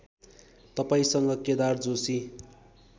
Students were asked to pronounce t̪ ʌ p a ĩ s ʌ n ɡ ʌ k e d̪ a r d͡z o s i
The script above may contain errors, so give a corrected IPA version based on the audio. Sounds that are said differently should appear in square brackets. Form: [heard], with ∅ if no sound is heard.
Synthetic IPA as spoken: t̪ ʌ p a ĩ s ʌ [ŋ] ɡ ʌ k e d̪ a r d͡z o s i